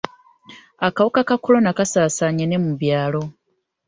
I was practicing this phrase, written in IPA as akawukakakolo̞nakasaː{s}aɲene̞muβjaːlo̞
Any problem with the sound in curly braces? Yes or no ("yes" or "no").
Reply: no